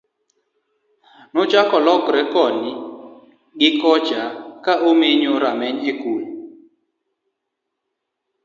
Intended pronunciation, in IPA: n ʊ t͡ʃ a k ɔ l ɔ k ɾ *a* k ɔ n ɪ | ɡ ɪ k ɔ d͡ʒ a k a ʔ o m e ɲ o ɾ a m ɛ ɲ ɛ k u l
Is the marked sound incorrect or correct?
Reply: incorrect